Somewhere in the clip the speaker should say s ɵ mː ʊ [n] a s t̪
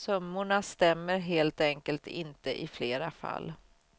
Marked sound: incorrect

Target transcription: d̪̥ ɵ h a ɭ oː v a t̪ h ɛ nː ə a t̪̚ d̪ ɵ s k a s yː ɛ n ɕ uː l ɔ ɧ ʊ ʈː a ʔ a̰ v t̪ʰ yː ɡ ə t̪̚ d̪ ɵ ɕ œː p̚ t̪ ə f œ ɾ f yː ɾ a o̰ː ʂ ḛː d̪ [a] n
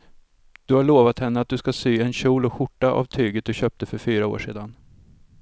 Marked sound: correct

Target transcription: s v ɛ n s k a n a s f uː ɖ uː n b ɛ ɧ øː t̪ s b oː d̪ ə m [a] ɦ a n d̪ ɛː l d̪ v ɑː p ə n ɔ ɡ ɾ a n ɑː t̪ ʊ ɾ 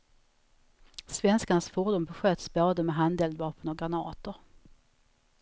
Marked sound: incorrect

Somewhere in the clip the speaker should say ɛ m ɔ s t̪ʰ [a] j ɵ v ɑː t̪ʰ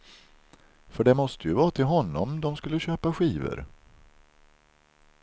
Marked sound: incorrect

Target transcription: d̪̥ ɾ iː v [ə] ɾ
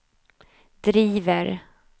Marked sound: correct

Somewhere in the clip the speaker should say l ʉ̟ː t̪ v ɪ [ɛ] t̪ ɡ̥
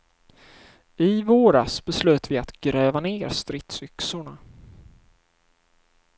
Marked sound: incorrect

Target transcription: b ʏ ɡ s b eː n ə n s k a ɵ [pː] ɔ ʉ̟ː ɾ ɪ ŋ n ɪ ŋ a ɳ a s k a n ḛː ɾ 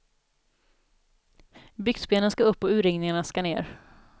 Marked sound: correct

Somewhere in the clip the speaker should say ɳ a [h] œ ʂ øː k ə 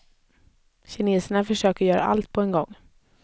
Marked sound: incorrect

